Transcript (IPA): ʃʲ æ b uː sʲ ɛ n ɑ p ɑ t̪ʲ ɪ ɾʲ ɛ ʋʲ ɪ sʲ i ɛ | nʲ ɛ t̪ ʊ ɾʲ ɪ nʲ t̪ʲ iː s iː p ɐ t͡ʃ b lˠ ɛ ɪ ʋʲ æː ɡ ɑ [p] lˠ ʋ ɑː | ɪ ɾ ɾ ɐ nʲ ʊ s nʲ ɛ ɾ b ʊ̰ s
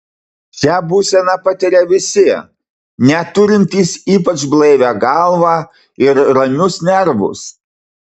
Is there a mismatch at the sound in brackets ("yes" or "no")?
yes